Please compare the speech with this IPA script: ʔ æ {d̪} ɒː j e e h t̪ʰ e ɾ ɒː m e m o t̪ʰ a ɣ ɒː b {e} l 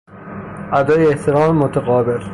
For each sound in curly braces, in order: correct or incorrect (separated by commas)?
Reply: correct, correct